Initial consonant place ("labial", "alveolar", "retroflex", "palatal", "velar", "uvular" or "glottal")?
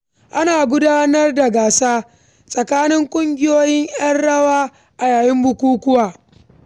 glottal